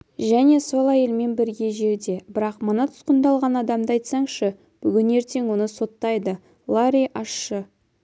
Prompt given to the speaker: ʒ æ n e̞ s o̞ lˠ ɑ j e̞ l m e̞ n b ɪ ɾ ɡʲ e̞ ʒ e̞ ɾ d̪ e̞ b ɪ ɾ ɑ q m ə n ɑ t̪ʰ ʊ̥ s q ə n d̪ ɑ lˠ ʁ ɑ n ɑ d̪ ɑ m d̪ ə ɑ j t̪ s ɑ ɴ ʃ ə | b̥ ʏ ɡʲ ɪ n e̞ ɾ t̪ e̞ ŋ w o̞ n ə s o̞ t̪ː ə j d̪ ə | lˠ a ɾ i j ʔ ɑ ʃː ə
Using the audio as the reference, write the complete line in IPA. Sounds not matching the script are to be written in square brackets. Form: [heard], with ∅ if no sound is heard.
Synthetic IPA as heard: ʒ æ n e̞ s o̞ lˠ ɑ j e̞ l m e̞ n b ɪ ɾ ɡʲ e̞ ʒ e̞ ɾ d̪ e̞ b ɪ ɾ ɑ q m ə n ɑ t̪ʰ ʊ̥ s q ə n d̪ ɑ lˠ ʁ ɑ n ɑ d̪ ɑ m d̪ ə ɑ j t̪ s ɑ ɴ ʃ ə | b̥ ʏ ɡʲ ɪ n e̞ ɾ t̪ e̞ ŋ w o̞ n ə s o̞ t̪ː [ɑ] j d̪ ə | lˠ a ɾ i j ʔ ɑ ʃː ə